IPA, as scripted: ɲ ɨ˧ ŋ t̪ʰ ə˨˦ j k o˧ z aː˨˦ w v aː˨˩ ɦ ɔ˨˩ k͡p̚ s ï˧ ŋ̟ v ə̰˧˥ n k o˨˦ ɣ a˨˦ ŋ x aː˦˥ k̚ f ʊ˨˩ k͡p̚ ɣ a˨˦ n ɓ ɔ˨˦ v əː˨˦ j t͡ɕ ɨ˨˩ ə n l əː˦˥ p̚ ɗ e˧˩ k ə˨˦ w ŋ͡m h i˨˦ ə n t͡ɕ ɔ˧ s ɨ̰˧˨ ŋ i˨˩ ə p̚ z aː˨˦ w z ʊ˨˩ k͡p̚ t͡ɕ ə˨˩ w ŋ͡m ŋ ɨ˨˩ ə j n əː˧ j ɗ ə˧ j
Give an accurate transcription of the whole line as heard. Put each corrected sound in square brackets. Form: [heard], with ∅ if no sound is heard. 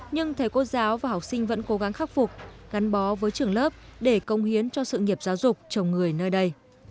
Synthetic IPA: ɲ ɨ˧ ŋ t̪ʰ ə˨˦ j k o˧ z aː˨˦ w v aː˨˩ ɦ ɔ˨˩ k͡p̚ s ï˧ ŋ̟ v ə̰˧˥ n k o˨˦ ɣ a˨˦ ŋ x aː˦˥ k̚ f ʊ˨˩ k͡p̚ ɣ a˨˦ n ɓ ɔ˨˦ v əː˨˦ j t͡ɕ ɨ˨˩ ə [ŋ] l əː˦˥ p̚ ɗ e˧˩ k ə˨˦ w ŋ͡m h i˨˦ ə n t͡ɕ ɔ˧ s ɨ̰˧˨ ŋ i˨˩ ə p̚ z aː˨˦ w z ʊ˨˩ k͡p̚ t͡ɕ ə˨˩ w ŋ͡m ŋ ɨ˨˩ ə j n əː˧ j ɗ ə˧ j